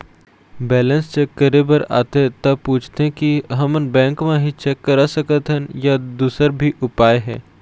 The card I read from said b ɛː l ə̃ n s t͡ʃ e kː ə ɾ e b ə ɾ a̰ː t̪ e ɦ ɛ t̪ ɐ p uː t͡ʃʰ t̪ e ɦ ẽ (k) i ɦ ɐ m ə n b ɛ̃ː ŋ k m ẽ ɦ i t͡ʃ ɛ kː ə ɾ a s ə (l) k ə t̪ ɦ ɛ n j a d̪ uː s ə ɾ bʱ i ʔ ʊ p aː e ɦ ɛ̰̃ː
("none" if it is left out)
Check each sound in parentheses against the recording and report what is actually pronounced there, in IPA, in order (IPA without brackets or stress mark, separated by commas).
k, none